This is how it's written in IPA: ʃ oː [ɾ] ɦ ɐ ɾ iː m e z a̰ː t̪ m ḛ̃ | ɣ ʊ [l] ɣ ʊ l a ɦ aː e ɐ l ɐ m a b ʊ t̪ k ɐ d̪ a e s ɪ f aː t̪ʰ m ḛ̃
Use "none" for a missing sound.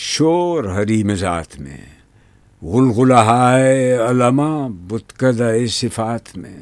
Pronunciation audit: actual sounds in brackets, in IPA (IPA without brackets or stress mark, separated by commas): ɾ, l